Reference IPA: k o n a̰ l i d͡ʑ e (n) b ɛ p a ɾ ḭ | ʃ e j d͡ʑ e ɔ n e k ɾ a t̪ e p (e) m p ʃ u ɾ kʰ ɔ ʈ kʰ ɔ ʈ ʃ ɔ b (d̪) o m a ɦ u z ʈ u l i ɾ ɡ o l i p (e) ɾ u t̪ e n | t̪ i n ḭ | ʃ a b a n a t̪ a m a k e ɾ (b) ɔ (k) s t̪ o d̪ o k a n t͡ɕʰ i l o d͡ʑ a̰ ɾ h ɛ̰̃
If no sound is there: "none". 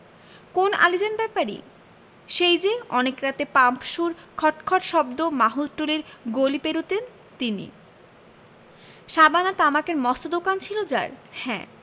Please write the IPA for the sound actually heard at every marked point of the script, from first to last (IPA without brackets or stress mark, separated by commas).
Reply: n, a, d̪, e, m, none